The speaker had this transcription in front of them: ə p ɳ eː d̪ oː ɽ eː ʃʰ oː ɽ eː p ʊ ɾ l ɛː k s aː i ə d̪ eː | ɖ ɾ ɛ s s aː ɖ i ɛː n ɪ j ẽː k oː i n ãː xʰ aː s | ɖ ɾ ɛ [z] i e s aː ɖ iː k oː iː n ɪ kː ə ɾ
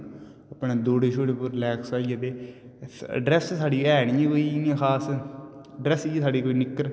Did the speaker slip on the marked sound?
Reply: yes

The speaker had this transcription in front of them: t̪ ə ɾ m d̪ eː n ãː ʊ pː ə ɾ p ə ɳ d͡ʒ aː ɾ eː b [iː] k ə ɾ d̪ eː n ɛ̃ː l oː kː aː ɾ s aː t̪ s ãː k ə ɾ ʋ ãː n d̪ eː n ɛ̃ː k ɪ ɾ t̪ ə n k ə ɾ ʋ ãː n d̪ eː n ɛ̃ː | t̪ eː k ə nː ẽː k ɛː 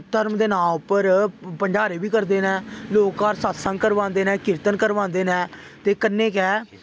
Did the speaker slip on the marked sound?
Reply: no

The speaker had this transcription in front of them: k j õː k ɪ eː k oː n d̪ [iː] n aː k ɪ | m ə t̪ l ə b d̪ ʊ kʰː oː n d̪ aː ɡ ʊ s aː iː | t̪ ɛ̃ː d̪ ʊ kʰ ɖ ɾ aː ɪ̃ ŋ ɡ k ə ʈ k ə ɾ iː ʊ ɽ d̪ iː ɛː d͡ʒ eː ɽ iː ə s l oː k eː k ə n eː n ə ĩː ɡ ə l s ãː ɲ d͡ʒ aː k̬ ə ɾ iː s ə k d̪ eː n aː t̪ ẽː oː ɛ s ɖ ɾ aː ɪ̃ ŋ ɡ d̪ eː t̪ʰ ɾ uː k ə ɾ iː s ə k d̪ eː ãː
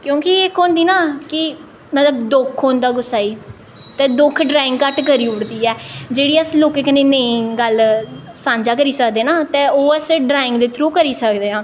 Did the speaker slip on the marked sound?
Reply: no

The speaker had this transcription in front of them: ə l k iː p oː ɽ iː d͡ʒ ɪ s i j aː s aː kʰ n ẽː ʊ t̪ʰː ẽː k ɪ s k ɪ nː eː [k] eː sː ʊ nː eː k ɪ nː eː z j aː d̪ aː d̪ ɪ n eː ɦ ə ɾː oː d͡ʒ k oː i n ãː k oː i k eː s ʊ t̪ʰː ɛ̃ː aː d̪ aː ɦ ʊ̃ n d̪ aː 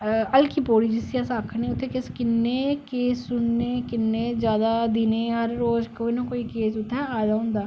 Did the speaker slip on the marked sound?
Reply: no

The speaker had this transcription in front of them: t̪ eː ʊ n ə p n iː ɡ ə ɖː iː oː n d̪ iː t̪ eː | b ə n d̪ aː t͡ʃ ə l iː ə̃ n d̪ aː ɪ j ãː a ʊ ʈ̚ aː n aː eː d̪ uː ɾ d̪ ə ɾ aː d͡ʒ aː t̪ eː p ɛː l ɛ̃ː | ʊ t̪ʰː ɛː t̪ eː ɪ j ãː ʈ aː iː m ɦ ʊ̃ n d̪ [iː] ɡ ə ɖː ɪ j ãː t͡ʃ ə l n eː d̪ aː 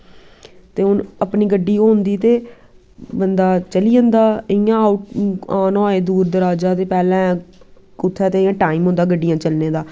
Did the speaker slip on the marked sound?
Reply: yes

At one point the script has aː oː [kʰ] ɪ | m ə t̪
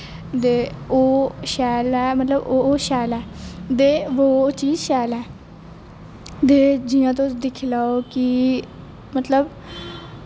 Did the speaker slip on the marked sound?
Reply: yes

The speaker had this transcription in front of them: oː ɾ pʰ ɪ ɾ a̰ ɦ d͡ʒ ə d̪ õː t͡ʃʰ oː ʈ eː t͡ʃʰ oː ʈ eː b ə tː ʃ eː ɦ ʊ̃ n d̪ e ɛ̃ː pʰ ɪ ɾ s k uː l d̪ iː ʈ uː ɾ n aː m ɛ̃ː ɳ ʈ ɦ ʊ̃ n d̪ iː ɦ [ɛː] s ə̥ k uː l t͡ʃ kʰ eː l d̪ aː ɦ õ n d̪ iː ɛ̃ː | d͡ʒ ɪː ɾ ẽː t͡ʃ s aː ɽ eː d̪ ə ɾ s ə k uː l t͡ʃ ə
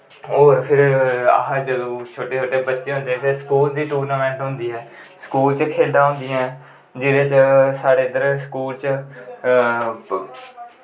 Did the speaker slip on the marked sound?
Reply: no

